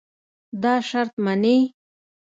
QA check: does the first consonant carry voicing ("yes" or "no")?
yes